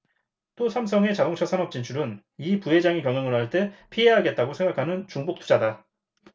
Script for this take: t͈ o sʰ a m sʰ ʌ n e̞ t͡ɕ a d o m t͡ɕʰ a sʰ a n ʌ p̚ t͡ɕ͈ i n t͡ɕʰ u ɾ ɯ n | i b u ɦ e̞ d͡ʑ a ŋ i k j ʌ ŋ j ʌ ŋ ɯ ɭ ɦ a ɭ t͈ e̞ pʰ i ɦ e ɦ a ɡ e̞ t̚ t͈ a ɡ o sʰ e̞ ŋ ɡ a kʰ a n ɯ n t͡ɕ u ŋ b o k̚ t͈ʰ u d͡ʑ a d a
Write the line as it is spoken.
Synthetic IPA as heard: t͈ o sʰ a m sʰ ʌ ŋ e̞ t͡ɕ a d o ŋ t͡ɕʰ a sʰ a n ʌ p̚ t͡ɕ͈ i n t͡ɕʰ u ɾ ɯ n | i p u ɦ e̞ d͡ʑ a ŋ i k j ʌ ŋ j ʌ ŋ ɯ ɭ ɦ a ɭ t͈ e̞ pʰ i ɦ e ɦ a ɡ e̞ t̚ t͈ a ɡ o sʰ e̞ ŋ ɡ a kʰ a n ɯ n t͡ɕ u ŋ b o k̚ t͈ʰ u d͡ʑ a d a